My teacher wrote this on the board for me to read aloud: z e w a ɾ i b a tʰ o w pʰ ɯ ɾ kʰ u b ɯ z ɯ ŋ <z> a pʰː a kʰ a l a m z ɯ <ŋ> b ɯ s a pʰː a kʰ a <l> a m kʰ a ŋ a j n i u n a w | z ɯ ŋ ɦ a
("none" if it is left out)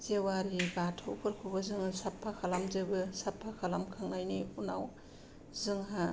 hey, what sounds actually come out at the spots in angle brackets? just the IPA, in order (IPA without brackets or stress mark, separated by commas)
s, none, l